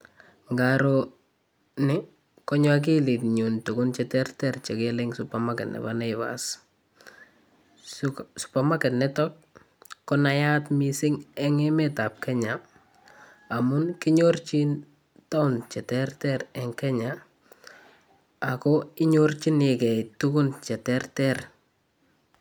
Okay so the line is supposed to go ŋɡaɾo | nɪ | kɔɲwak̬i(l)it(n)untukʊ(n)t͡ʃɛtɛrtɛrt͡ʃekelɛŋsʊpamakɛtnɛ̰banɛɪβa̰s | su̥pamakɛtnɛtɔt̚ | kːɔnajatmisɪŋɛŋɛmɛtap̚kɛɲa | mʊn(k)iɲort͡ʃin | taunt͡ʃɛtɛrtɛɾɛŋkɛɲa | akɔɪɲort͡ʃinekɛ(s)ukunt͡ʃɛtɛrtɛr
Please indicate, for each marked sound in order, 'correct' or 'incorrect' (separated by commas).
correct, incorrect, correct, correct, incorrect